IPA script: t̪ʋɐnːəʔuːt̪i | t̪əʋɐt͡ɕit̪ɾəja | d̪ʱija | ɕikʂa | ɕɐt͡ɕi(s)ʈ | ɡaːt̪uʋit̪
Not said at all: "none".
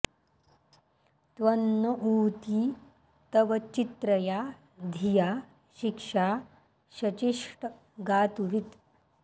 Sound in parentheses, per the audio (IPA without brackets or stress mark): ʂ